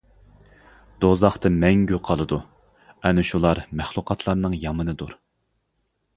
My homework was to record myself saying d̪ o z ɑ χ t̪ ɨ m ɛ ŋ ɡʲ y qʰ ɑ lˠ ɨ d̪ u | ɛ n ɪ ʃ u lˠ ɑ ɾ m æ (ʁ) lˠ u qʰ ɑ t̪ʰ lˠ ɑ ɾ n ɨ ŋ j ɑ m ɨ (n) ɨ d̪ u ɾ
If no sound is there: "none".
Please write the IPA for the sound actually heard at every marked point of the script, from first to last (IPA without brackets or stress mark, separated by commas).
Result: χ, n